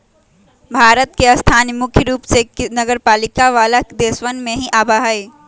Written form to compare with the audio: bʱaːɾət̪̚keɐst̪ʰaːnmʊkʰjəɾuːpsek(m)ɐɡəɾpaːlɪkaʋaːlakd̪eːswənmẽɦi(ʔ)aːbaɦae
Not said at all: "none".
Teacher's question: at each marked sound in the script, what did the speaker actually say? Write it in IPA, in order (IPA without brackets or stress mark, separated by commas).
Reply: n, ʔ